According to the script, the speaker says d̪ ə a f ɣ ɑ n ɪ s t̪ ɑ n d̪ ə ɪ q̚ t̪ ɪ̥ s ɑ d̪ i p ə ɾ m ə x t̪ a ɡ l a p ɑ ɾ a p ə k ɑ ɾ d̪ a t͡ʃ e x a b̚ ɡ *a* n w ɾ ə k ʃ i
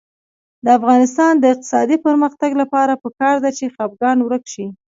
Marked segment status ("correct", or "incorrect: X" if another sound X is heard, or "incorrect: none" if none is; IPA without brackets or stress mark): incorrect: ɑ